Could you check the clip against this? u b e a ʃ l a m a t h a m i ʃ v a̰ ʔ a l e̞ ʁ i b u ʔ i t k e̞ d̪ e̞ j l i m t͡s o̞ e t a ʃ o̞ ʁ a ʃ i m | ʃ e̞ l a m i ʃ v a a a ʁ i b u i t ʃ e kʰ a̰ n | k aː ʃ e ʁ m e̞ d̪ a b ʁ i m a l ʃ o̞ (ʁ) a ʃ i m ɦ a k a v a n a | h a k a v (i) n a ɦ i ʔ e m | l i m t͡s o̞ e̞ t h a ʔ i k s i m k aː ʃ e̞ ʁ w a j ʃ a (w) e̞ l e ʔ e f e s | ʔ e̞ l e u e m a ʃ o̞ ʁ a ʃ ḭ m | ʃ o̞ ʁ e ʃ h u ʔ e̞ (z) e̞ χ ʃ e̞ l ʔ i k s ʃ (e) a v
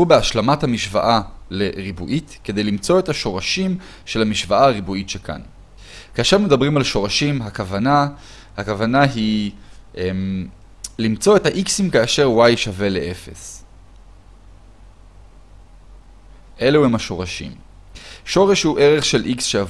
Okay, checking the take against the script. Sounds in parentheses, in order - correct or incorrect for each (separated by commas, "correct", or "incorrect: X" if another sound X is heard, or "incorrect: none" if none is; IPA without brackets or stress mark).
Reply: correct, incorrect: a, incorrect: v, incorrect: ʁ, correct